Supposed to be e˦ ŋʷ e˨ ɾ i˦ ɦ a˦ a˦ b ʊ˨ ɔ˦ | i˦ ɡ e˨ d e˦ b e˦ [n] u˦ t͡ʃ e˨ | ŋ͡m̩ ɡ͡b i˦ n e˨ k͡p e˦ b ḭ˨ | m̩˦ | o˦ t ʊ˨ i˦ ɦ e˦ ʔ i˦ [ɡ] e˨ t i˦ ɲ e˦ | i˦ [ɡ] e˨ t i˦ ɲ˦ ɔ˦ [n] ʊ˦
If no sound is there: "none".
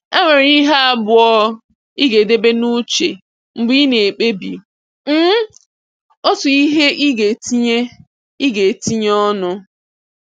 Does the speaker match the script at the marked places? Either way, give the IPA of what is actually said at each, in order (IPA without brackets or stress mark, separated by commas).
n, ɡ, ɡ, n